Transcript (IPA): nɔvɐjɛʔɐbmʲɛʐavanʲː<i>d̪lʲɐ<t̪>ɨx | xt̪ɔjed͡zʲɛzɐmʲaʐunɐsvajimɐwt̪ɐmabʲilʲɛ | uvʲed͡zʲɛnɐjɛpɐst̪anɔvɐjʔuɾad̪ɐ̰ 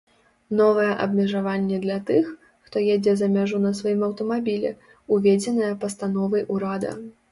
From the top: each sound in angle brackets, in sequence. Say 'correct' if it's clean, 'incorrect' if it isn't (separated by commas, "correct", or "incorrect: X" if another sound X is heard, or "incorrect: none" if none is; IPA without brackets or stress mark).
incorrect: ɛ, correct